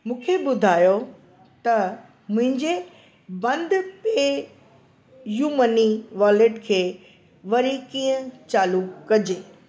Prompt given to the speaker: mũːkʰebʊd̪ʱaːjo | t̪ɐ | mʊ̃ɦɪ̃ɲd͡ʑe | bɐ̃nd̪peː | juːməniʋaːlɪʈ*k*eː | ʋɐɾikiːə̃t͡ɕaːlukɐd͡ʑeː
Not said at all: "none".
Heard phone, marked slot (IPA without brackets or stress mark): kʰ